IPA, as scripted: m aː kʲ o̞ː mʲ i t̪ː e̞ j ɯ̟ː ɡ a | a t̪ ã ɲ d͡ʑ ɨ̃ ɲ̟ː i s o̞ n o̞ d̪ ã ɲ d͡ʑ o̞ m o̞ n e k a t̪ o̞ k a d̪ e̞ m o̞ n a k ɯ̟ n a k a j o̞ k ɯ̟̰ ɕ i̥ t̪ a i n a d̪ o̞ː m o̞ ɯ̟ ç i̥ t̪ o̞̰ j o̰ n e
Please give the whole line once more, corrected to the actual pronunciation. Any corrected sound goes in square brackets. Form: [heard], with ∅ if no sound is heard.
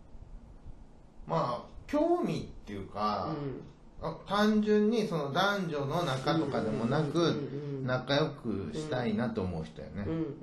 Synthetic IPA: m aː kʲ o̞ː mʲ i t̪ː e̞ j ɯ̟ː [k] a | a t̪ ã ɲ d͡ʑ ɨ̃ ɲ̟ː i s o̞ n o̞ d̪ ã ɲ d͡ʑ o̞ [n] o̞ n [a] k a t̪ o̞ k a d̪ e̞ m o̞ n a k ɯ̟ n a k a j o̞ k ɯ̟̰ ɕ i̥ t̪ a i n a [t̪] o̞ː m o̞ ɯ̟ ç i̥ t̪ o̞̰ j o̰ n e